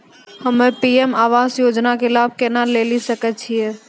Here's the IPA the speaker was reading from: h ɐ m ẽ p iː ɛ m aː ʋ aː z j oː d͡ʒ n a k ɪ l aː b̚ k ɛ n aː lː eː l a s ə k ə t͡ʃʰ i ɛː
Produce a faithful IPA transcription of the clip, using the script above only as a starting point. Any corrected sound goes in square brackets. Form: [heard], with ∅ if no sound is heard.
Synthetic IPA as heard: h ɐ m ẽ p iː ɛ m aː ʋ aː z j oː d͡ʒ n a k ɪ l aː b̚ k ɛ n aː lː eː l [i] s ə k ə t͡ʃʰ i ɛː